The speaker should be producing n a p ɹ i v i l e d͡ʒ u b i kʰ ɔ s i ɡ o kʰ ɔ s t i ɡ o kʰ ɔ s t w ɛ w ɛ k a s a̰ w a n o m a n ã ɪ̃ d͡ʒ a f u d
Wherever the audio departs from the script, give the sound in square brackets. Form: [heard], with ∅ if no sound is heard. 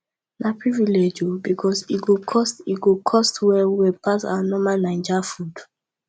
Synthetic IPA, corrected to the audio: n a p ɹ i v i l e d͡ʒ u b i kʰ ɔ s i ɡ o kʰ ɔ s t i ɡ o kʰ ɔ s t w ɛ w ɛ [p] a s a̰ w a n [ɔ] m a n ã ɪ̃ d͡ʒ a f u d